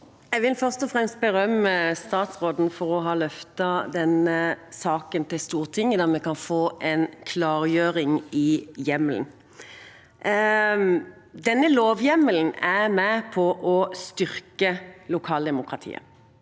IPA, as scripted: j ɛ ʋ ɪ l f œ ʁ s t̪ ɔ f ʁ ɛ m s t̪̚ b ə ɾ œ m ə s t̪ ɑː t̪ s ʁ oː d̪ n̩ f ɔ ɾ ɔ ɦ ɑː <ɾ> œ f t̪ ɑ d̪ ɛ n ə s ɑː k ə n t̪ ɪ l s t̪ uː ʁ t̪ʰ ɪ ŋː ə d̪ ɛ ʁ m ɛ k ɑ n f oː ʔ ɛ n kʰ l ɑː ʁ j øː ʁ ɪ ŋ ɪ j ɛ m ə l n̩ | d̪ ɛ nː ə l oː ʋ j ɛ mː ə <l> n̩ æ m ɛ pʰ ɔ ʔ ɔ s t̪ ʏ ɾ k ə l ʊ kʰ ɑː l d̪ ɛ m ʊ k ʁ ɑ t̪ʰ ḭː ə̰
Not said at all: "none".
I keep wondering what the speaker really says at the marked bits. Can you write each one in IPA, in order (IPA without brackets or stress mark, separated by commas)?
l, l